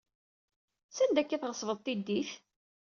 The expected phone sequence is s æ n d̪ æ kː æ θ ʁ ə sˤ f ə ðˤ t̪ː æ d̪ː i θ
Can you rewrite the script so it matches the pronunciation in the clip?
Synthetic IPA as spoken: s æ n d̪ æ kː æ θ ʁ ə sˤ v ə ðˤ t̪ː i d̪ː i θ